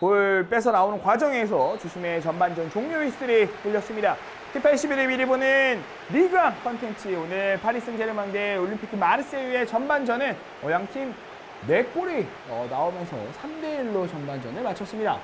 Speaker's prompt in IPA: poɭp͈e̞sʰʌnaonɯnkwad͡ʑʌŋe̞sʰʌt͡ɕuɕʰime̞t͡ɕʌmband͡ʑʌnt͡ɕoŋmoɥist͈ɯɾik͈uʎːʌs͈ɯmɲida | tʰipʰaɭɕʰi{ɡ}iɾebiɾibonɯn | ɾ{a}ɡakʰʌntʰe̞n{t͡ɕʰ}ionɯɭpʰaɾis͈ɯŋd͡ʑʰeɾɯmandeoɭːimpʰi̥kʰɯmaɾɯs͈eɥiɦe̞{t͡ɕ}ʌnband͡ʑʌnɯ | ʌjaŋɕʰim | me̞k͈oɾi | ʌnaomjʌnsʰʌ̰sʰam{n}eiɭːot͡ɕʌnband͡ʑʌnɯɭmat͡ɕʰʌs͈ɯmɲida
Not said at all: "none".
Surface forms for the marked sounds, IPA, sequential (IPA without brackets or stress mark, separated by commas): b, i, t͡ɕʰ, t͡ɕ, d